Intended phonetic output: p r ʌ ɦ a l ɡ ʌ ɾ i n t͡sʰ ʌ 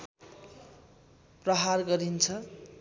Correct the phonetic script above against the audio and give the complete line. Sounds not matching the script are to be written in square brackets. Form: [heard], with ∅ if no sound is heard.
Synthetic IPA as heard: p r ʌ ɦ a [r] ɡ ʌ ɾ i n t͡sʰ ʌ